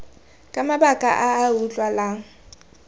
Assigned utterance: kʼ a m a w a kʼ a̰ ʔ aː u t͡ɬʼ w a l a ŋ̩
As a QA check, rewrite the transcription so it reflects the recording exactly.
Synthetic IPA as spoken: kʼ a m a b a kʼ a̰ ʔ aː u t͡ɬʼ w a l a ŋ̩